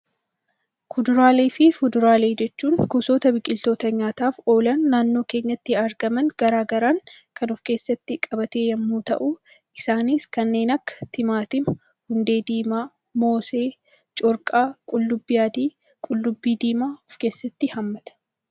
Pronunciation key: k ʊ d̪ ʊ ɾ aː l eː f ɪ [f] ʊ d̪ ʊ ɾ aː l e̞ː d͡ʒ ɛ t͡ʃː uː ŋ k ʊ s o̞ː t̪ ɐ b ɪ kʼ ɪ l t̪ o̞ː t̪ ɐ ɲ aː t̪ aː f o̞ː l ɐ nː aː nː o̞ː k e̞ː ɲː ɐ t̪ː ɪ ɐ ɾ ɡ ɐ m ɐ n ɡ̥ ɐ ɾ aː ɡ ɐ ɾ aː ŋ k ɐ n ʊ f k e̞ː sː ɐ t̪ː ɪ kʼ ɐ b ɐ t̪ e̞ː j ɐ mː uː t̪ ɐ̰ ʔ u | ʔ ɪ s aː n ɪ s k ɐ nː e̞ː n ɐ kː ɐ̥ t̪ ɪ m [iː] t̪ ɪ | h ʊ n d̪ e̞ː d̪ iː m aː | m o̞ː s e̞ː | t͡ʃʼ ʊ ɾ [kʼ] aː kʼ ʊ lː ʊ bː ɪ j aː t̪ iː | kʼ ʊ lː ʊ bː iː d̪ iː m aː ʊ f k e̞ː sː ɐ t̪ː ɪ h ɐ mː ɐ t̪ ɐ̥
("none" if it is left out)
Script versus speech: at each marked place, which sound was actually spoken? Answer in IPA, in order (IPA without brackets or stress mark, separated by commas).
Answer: f, aː, kʼ